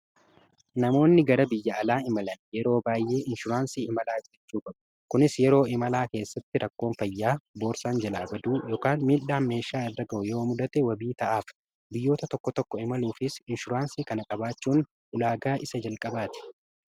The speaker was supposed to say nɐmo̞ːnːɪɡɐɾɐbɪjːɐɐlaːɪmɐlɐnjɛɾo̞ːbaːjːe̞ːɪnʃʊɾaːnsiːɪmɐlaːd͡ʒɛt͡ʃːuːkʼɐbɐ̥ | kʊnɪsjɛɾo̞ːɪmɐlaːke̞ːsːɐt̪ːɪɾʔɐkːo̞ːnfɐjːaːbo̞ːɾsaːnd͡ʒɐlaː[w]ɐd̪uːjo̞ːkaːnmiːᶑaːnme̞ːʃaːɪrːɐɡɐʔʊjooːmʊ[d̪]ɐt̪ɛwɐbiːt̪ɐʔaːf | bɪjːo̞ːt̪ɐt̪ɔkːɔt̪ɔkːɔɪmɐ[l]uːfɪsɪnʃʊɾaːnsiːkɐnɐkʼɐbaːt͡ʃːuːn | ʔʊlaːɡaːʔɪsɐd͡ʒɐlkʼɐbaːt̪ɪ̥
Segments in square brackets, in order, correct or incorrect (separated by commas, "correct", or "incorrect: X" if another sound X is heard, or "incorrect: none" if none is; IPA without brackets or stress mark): incorrect: b, correct, correct